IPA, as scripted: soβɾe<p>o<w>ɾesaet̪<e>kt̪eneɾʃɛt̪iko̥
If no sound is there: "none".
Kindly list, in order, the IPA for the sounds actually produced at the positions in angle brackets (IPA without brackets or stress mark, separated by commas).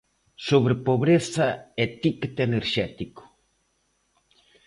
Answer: p, β, i